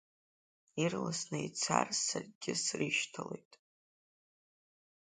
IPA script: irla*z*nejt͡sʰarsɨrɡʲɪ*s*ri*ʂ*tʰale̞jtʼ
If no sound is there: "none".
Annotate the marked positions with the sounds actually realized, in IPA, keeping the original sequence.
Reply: s, s, ʃ

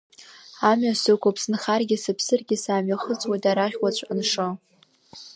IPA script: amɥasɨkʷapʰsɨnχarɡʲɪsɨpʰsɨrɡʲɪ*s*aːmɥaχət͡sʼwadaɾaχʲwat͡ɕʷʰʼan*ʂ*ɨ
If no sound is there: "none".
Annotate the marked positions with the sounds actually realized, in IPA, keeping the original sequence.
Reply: s, ʂ

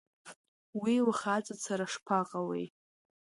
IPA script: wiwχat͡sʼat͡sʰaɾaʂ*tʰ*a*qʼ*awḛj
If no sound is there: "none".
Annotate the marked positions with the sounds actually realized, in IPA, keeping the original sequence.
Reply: pʰ, qʼ

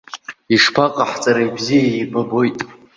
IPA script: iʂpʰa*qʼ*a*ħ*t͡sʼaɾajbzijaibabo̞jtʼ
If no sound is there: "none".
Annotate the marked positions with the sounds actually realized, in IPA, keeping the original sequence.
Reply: qʼ, ħ

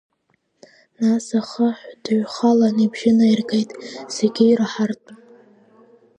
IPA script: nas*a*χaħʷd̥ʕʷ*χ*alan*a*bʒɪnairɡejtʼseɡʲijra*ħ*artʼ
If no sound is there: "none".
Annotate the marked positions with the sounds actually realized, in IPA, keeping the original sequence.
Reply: a, χ, i, ħ

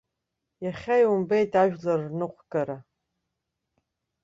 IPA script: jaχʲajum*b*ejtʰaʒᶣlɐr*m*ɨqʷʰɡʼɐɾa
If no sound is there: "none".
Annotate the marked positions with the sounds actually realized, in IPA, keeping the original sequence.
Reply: b, n

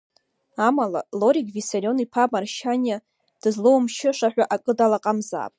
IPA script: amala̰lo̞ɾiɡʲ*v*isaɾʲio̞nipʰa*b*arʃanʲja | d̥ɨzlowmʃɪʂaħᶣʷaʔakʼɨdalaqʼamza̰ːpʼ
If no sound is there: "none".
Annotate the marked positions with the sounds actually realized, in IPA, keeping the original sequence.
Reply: v, m

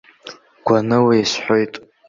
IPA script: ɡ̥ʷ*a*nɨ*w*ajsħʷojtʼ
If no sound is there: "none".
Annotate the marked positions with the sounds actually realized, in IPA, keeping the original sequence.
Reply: a, w

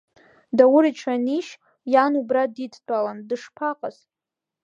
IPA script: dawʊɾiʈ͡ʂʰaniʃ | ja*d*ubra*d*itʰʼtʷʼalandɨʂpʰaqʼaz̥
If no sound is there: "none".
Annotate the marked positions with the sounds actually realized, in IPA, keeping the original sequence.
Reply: n, d

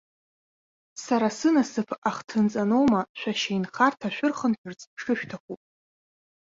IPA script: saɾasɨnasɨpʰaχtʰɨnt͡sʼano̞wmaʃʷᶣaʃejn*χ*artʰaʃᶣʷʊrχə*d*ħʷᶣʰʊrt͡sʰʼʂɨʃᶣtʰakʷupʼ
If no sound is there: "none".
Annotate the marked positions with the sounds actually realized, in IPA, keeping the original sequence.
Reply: χ, n

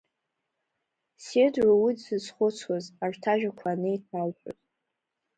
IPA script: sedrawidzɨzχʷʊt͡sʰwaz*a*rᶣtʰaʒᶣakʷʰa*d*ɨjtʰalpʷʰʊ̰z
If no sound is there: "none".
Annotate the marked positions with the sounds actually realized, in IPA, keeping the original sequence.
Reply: a, n

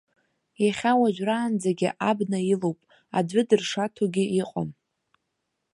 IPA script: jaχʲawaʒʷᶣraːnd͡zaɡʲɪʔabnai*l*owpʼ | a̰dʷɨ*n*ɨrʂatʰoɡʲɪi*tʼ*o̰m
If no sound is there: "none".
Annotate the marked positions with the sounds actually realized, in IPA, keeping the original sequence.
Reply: l, d, qʼ

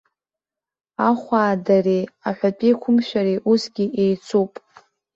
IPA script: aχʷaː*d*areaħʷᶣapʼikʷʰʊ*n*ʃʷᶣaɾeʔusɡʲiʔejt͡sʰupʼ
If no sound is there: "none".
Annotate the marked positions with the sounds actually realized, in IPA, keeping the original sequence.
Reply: d, m

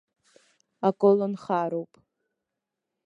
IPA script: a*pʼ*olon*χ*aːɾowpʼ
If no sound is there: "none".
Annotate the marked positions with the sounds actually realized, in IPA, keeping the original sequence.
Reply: kʼ, χ

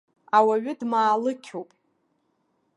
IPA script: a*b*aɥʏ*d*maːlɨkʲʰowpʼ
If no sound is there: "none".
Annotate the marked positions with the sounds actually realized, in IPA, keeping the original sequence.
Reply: w, d

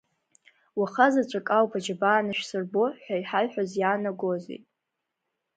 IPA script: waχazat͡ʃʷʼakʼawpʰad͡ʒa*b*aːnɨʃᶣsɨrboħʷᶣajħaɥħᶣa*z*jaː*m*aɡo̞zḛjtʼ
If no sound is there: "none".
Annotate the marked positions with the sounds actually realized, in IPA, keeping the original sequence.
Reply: b, z, n

